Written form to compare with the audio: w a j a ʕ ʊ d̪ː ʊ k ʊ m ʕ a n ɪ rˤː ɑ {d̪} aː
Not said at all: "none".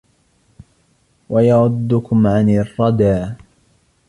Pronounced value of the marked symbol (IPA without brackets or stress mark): d̪